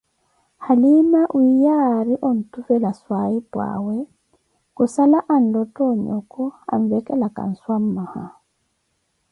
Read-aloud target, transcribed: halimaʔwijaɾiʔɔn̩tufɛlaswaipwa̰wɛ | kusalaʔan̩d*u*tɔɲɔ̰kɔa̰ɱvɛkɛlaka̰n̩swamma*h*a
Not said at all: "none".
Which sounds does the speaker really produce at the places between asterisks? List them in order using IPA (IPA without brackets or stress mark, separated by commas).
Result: ɔ, h